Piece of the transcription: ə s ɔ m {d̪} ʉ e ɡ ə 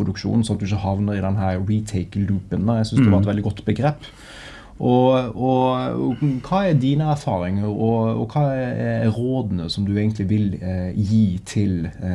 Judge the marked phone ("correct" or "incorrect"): correct